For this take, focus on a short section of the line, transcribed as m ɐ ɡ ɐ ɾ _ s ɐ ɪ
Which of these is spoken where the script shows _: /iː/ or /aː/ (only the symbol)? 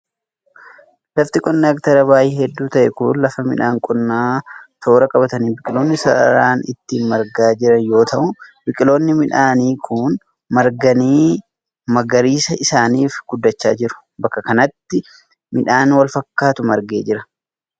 iː